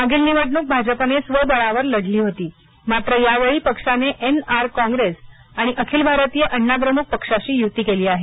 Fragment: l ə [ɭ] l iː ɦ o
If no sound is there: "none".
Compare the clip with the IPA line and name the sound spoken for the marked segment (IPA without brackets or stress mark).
ɽ